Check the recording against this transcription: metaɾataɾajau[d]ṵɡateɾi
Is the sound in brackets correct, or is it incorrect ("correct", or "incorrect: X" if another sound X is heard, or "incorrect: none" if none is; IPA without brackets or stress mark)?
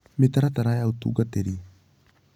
incorrect: t